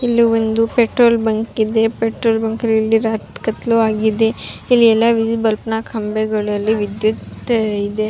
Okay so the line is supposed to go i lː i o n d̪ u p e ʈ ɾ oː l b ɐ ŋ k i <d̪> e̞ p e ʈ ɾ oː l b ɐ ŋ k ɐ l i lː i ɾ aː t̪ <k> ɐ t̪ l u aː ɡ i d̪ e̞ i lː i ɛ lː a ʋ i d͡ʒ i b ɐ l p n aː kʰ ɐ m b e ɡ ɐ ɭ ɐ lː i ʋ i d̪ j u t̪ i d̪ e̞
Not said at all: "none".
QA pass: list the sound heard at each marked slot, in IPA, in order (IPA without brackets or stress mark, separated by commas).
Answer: d̪, k